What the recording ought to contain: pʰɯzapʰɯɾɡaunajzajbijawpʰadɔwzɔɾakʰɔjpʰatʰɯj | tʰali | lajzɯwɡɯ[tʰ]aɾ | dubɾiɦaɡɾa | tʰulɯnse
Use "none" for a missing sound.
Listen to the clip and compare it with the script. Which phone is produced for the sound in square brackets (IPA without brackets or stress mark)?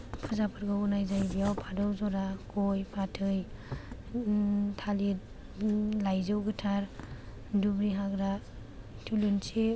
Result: tʰ